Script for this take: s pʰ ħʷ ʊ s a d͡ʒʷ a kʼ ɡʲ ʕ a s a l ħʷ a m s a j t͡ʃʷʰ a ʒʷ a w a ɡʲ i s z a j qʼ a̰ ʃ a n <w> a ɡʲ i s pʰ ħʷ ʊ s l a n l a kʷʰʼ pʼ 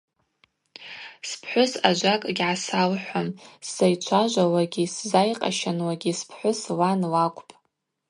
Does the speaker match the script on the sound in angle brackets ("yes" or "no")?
yes